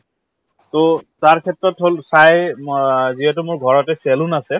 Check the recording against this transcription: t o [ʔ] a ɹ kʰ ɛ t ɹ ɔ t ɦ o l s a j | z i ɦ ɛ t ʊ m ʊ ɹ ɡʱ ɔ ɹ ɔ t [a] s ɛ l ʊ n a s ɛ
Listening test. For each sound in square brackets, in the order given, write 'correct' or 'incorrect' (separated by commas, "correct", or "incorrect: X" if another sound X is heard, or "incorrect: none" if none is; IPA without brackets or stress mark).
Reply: incorrect: t, incorrect: ɛ